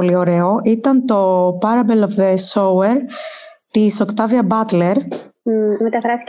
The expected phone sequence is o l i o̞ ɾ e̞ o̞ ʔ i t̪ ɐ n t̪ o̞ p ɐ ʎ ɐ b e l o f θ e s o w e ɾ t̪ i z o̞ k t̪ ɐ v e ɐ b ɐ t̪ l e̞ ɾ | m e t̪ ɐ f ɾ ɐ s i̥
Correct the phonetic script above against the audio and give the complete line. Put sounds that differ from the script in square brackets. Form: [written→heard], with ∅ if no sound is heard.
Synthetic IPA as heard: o l i o̞ ɾ e̞ o̞ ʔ i t̪ ɐ n t̪ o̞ p ɐ [ʎ→ɾ] ɐ b e l o f [θ→ð] e s o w e ɾ t̪ i [z→s] o̞ k t̪ ɐ v [e→i] ɐ b ɐ t̪ l e̞ ɾ | m e t̪ ɐ f ɾ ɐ s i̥